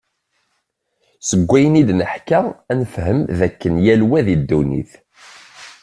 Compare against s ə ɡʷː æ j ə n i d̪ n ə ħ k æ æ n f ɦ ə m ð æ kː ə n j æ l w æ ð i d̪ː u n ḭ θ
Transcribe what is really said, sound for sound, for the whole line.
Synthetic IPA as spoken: s ə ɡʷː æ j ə n i d̪ n ə ħ k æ æ n f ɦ ə m ð æ kː ə n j æ l w æ ð i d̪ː u n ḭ θ